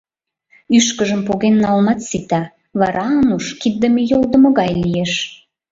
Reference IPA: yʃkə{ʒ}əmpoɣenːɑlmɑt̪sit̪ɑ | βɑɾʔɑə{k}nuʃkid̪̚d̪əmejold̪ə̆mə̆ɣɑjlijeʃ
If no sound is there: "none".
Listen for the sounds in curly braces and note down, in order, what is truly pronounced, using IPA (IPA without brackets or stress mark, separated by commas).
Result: ʒ, none